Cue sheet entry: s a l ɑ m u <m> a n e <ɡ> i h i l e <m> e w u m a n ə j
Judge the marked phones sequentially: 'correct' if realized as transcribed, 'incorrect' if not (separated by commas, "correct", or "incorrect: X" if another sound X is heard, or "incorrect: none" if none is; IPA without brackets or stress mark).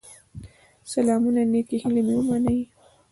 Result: incorrect: n, incorrect: k, correct